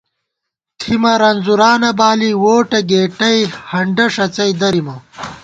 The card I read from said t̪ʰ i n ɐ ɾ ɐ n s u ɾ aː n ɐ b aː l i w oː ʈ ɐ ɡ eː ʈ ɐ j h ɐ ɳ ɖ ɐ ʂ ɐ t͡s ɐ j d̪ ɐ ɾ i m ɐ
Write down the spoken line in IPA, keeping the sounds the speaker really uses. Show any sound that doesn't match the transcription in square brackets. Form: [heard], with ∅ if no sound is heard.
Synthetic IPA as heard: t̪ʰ i [m] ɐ ɾ ɐ n [z] u ɾ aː n ɐ b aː l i w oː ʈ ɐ ɡ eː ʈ ɐ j h ɐ ɳ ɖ ɐ ʂ ɐ t͡s ɐ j d̪ ɐ ɾ i m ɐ